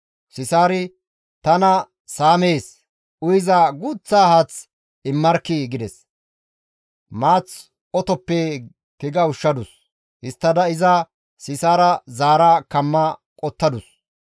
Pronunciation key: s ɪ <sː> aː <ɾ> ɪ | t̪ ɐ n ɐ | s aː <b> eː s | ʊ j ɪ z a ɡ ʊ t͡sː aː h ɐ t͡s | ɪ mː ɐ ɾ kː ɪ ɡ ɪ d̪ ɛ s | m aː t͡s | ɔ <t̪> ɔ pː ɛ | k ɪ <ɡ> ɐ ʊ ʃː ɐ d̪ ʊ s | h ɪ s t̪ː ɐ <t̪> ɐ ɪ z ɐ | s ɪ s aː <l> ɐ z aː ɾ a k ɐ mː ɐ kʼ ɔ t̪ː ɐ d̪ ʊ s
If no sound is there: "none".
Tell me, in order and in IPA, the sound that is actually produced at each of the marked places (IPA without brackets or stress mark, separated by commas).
s, ɾ, m, t̪, ɡ, d̪, ɾ